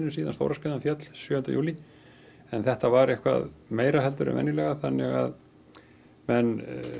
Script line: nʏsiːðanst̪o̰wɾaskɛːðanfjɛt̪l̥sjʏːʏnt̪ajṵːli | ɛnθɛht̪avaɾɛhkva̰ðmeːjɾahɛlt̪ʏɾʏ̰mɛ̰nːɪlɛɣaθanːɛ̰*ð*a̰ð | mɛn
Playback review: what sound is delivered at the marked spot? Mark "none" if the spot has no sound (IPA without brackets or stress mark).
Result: ɣ